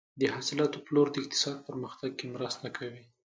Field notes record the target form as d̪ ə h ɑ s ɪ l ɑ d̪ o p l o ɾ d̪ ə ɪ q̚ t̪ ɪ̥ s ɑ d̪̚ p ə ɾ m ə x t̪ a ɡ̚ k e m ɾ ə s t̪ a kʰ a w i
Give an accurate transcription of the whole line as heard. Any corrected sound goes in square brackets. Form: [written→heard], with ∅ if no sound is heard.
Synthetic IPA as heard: d̪ ə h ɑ s ɪ l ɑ [d̪→t̪] o p l o ɾ d̪ ə ɪ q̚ t̪ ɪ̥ s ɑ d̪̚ p ə ɾ m ə x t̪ a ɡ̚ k e m ɾ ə s t̪ a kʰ a w i